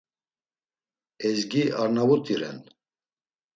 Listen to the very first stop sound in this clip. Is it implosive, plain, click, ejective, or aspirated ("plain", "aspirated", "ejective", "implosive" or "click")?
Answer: plain